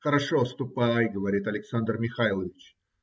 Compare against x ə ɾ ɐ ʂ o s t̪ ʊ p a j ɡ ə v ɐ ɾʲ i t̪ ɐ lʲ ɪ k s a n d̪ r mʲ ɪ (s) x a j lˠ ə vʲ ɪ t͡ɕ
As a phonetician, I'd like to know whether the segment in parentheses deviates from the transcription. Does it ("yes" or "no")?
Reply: yes